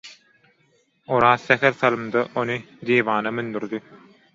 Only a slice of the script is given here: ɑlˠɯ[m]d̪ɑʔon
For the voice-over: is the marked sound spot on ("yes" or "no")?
yes